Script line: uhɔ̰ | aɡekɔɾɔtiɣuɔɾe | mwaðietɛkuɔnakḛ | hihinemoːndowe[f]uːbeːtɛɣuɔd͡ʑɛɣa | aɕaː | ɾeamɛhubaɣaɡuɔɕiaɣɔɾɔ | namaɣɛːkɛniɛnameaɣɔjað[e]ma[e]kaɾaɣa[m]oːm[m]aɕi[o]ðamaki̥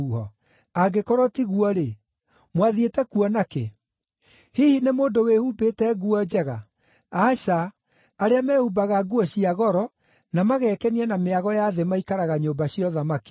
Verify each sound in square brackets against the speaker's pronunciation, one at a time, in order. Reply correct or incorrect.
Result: incorrect, correct, incorrect, incorrect, incorrect, incorrect

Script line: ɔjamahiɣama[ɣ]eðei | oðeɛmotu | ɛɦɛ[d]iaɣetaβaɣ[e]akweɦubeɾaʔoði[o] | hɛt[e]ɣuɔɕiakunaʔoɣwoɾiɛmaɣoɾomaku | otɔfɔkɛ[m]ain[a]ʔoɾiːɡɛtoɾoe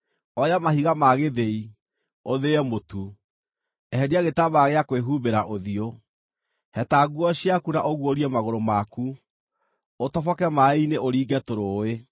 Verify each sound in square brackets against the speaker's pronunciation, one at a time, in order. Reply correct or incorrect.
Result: correct, correct, correct, correct, incorrect, correct, incorrect

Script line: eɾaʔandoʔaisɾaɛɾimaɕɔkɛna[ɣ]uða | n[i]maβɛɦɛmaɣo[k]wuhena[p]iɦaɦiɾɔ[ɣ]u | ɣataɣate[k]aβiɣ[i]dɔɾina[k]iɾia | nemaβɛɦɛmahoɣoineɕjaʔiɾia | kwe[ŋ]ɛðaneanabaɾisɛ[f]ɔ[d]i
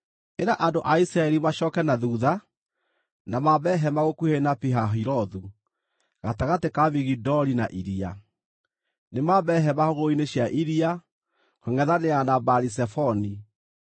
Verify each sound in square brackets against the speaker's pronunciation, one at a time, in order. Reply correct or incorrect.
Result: incorrect, incorrect, correct, correct, incorrect, correct, correct, incorrect, correct, correct, incorrect

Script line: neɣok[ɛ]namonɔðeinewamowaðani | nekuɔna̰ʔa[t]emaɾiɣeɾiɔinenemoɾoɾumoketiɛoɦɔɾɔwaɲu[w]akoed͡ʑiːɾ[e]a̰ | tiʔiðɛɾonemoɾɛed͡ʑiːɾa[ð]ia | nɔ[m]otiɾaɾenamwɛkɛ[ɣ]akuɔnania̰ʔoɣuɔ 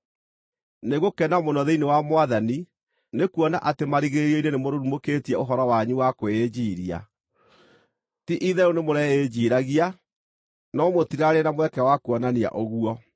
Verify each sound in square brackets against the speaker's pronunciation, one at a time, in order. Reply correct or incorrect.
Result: correct, correct, correct, incorrect, incorrect, correct, incorrect

